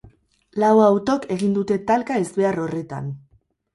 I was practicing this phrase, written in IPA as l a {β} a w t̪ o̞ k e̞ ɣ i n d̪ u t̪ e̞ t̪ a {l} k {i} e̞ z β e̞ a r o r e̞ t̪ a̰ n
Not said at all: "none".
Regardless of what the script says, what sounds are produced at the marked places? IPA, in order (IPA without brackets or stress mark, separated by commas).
w, l, a